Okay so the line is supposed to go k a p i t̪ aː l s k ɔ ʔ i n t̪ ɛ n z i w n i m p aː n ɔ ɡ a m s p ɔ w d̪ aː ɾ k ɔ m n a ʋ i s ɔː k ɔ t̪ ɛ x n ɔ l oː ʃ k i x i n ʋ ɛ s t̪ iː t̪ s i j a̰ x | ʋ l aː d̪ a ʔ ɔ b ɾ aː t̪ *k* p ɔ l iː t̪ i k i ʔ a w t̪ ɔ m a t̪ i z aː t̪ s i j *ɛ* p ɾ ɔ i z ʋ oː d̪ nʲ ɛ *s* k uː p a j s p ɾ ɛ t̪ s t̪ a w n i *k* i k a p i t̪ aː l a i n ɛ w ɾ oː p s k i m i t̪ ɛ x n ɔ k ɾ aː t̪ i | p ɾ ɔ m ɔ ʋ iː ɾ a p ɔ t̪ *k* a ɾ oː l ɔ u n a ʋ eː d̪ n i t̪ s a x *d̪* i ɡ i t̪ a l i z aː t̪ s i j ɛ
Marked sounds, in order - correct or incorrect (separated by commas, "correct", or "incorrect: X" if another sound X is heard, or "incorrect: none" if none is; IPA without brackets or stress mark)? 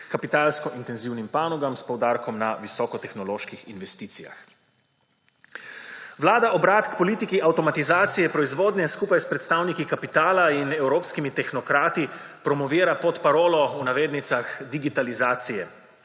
correct, correct, correct, correct, incorrect: p, correct